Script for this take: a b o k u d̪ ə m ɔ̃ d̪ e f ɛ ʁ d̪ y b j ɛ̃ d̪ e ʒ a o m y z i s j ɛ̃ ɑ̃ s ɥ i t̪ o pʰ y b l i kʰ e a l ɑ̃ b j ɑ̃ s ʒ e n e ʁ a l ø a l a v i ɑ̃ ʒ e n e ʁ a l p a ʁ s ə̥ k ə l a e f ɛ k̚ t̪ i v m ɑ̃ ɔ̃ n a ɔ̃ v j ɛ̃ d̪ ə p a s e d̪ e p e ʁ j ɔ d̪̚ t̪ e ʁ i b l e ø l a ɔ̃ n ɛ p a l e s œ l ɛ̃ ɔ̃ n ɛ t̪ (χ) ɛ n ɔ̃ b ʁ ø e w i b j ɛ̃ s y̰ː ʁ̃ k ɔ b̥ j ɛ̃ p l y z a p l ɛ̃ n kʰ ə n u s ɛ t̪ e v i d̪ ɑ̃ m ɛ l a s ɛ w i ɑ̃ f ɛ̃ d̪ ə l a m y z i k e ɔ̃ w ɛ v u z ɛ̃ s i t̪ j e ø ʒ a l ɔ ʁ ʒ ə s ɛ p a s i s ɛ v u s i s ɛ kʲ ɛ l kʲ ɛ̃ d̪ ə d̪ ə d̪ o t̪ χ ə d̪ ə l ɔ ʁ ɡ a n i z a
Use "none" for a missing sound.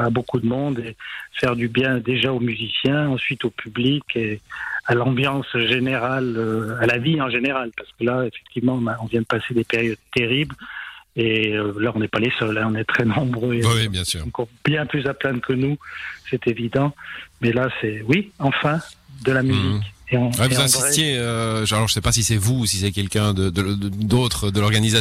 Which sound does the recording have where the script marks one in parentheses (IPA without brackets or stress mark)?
χ